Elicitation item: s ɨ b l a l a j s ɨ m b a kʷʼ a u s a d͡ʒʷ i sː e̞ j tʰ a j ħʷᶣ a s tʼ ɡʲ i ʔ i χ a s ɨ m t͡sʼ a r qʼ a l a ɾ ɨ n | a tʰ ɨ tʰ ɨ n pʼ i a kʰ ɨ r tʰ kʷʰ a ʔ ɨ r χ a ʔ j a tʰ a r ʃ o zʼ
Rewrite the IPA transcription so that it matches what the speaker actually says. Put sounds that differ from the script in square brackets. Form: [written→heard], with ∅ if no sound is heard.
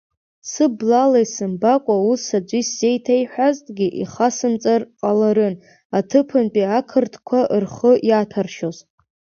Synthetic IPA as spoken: s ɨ b l a l a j s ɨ m b a kʷʼ a u s a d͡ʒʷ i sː e̞ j tʰ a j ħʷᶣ a [s→z] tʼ ɡʲ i ʔ i χ a s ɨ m t͡sʼ a r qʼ a l a ɾ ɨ n | a tʰ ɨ [tʰ→pʰ] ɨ n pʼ i a kʰ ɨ r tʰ kʷʰ a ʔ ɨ r χ [a→ə] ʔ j a tʰ a r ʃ o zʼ

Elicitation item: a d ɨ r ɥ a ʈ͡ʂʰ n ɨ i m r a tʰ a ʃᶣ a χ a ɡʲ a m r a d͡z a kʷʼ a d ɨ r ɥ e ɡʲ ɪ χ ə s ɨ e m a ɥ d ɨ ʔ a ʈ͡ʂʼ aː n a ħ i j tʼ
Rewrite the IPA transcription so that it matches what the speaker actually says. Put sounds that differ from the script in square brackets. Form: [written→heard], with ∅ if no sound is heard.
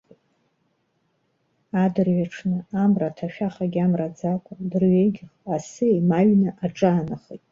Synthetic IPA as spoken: a d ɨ r ɥ a ʈ͡ʂʰ n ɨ [i→a] m r a tʰ a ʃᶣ a χ a ɡʲ a m r a d͡z a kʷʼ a d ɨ r ɥ e ɡʲ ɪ χ [ə→a] s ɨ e m a ɥ [d→n] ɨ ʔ a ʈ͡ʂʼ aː n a [ħ→χ] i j tʼ

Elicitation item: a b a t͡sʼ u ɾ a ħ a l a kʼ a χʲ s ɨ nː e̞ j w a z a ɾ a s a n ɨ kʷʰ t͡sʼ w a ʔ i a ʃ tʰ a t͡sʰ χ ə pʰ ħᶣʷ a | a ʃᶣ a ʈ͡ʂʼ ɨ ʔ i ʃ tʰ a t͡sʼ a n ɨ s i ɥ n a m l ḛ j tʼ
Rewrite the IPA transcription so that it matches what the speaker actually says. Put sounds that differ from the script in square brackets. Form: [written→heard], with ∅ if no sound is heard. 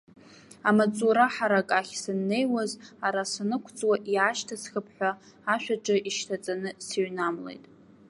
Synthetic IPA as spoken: a [b→m] a t͡sʼ u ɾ a ħ a [l→ɾ] a kʼ a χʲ s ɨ nː e̞ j w a z a ɾ a s a n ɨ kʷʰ t͡sʼ w a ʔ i a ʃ tʰ a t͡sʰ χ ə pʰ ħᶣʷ a | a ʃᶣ a ʈ͡ʂʼ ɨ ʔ i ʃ tʰ a t͡sʼ a n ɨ s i ɥ n a m l ḛ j tʼ

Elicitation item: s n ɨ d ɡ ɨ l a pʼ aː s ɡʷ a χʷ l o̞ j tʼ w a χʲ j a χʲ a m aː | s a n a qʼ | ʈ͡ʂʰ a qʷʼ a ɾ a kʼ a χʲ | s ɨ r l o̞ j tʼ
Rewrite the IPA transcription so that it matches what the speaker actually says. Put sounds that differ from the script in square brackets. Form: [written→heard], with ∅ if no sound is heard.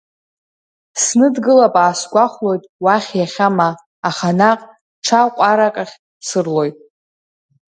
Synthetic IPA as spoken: s n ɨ d ɡ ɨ l a pʼ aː s ɡʷ a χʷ l o̞ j tʼ w a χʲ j a χʲ a m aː | [s→χ] a n a qʼ | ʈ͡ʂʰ a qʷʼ a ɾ a kʼ a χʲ | s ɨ r l o̞ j tʼ

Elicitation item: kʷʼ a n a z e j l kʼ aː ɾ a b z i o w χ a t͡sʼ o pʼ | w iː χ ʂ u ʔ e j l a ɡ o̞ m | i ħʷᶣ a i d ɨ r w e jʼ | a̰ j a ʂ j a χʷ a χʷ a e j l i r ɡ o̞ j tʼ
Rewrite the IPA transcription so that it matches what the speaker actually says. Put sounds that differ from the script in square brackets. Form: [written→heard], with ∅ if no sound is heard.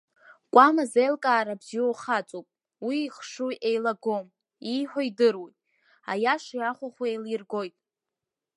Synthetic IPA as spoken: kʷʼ a [n→m] a z e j l kʼ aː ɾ a b z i o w χ a t͡sʼ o pʼ | w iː χ ʂ u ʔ e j l a ɡ o̞ m | i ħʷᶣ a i d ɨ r w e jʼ | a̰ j a ʂ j a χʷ a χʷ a e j l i r ɡ o̞ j tʼ

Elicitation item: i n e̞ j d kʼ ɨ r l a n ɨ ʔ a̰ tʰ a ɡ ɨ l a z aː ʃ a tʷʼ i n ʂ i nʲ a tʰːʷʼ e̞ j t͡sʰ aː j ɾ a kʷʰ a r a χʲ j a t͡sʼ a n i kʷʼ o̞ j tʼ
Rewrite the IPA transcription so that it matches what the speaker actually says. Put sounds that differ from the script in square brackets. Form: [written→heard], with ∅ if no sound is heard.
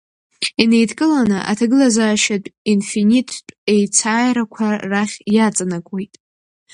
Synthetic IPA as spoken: i n e̞ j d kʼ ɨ [r→∅] l a n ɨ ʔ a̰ tʰ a ɡ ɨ l a z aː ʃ a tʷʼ i n [ʂ→f] i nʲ [a→i] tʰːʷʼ e̞ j t͡sʰ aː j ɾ a kʷʰ a r a χʲ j a t͡sʼ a n [i→a] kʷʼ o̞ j tʼ

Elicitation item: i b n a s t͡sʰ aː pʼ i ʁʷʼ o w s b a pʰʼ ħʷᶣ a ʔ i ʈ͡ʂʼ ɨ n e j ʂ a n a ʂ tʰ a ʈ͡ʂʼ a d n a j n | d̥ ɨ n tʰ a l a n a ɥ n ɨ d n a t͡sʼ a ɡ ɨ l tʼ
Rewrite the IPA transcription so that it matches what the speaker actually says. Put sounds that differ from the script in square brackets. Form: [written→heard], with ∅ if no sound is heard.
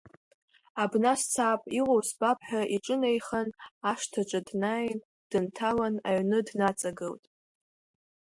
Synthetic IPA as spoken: [i→a] b n a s t͡sʰ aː pʼ i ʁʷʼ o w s b a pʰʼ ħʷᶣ a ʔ i ʈ͡ʂʼ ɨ n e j [ʂ→χ] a n a ʂ tʰ a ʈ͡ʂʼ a d n a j n | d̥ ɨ n tʰ a l a n a ɥ n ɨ d n a t͡sʼ a ɡ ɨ l tʼ

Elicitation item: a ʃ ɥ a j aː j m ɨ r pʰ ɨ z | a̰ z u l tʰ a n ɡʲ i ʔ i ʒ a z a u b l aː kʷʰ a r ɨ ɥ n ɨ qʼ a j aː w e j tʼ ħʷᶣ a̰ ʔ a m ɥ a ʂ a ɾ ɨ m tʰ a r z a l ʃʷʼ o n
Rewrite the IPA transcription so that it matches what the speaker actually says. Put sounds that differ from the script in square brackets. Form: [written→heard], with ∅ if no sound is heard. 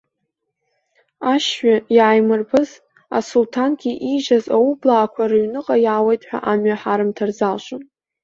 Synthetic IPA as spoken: a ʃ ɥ a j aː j m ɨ r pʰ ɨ z | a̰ [z→s] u l tʰ a n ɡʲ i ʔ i ʒ a z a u b l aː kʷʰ a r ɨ ɥ n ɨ qʼ a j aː w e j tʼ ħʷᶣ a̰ ʔ a m ɥ a [ʂ→ħ] a ɾ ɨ m tʰ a r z a l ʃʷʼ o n

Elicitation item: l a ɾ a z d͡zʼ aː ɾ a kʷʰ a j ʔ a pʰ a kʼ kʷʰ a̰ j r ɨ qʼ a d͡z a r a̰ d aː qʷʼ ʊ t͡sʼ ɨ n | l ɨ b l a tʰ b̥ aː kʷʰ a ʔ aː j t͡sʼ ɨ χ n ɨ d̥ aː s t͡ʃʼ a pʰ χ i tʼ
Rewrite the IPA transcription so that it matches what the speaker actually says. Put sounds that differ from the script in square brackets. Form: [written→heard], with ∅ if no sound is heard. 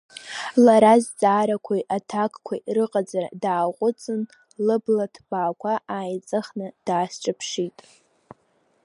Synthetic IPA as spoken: l a ɾ a z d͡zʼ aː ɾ a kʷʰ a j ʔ a [pʰ→tʰ] a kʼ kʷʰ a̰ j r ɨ qʼ a d͡z a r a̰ d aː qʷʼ ʊ t͡sʼ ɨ n | l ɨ b l a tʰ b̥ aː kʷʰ a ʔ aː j t͡sʼ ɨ χ n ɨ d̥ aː s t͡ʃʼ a pʰ [χ→ʂ] i tʼ

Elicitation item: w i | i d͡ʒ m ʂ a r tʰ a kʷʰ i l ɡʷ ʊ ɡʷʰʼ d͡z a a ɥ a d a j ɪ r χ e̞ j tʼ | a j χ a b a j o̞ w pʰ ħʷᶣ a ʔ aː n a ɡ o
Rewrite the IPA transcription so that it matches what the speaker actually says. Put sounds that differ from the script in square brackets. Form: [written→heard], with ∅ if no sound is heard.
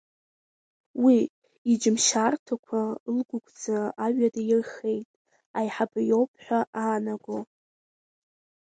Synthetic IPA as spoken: w i | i d͡ʒ m [ʂ→ʃ] a r tʰ a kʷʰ [i→a] l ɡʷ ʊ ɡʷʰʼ d͡z a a ɥ a d a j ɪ r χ e̞ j tʼ | a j [χ→ħ] a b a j o̞ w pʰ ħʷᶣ a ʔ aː n a ɡ o

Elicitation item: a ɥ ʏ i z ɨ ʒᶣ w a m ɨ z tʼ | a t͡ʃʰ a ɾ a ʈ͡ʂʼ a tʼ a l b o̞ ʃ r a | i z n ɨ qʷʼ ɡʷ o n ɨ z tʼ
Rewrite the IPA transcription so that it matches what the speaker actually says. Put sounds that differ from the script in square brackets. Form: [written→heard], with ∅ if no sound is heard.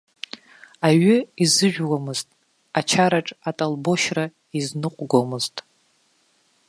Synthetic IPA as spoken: a ɥ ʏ i z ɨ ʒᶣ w a m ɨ z tʼ | a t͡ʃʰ a ɾ a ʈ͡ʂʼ a tʼ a l b o̞ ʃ r a | i z n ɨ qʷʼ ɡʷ o [n→m] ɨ z tʼ

